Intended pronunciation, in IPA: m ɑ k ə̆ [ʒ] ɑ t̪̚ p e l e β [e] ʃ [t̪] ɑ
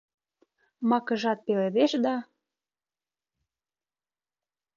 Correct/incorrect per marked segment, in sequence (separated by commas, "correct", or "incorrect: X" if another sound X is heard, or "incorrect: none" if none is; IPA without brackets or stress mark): correct, correct, incorrect: d̪